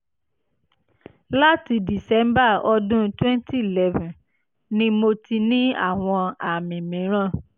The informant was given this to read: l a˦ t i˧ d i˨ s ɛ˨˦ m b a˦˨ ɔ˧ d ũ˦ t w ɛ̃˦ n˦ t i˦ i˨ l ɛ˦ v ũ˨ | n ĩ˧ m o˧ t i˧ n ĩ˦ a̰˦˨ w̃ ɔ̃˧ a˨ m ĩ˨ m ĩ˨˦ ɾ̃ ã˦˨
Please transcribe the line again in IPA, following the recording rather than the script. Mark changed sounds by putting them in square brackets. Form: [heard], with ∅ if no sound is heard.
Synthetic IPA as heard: l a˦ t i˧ d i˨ s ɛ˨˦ m b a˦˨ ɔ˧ d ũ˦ t w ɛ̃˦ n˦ t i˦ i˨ l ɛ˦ v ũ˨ | n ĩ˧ m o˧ t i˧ n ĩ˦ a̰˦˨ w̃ ɔ̃˧ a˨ m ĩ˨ m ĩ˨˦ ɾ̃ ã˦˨

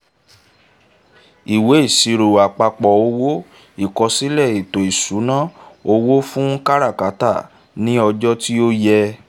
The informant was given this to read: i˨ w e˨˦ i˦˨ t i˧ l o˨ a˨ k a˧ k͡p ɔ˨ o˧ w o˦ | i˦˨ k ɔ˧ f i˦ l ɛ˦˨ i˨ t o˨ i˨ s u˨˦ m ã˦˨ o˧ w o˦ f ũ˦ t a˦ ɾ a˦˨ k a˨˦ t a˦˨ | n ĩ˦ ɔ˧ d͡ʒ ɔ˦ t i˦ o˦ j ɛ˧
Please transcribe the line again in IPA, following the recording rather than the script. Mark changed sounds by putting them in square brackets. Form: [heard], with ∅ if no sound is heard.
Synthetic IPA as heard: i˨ w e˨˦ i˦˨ [s] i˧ [ɾ] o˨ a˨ [k͡p] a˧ k͡p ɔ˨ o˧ w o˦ | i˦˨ k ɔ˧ [s] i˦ l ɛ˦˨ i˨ t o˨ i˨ s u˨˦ [n] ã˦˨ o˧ w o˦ f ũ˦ [k] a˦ ɾ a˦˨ k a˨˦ t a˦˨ | n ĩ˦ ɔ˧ d͡ʒ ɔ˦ t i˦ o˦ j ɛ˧

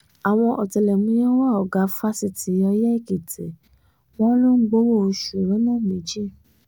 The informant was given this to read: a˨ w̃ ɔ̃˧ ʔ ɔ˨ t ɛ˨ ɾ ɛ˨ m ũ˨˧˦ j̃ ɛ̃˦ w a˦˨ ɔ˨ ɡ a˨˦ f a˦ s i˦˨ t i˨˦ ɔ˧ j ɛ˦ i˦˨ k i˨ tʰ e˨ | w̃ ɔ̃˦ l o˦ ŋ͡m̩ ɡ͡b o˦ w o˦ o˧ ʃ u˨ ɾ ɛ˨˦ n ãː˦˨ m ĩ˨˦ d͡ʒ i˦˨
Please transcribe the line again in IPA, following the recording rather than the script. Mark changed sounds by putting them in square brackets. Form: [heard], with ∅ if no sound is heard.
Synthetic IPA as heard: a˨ w̃ ɔ̃˧ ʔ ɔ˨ t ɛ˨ [l] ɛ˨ m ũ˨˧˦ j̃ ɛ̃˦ w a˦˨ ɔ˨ ɡ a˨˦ f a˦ s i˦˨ t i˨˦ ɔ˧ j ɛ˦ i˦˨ k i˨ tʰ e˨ | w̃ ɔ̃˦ l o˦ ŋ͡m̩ ɡ͡b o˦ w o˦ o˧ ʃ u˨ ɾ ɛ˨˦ n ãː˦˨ m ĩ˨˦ d͡ʒ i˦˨

